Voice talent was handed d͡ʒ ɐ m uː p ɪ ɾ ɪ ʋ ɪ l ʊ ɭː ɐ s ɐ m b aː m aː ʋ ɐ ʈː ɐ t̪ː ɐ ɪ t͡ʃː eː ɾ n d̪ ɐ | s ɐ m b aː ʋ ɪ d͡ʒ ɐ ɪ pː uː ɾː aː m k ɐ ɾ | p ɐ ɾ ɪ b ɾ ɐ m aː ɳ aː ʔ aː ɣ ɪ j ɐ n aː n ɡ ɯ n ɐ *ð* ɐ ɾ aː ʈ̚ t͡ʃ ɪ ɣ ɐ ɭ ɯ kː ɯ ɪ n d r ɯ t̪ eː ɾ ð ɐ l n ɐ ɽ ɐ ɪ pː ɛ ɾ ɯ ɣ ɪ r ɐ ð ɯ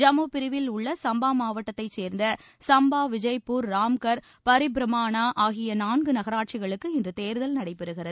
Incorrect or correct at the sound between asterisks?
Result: incorrect: ɣ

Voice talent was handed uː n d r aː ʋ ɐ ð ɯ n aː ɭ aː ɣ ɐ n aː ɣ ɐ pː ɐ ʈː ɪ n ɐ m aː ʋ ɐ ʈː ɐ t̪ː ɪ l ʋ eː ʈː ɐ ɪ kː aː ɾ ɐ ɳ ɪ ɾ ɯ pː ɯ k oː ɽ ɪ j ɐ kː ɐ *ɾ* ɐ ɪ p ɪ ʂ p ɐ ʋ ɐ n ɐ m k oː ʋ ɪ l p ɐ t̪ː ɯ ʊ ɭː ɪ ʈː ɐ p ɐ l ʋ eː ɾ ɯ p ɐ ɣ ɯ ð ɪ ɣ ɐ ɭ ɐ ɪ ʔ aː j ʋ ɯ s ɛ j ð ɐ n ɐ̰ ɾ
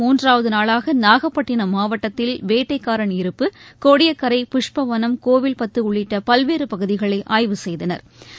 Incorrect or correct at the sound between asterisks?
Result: correct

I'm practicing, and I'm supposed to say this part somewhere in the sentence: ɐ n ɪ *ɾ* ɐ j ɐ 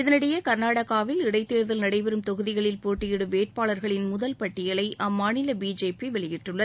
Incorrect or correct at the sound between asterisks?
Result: incorrect: ɽ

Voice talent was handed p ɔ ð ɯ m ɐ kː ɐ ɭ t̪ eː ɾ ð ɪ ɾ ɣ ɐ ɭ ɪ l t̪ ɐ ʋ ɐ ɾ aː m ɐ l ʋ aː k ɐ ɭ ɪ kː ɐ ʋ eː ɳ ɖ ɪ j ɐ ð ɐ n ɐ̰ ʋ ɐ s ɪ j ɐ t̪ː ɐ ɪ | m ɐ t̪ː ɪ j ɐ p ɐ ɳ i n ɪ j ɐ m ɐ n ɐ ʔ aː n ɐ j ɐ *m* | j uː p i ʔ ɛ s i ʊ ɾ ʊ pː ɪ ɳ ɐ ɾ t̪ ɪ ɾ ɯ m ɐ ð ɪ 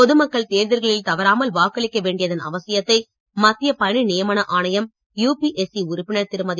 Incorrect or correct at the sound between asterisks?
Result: correct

